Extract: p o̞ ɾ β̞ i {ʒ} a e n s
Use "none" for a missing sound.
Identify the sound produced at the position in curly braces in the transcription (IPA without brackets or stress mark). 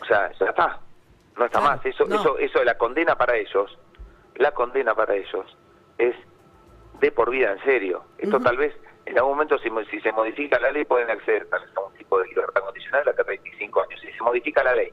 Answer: ð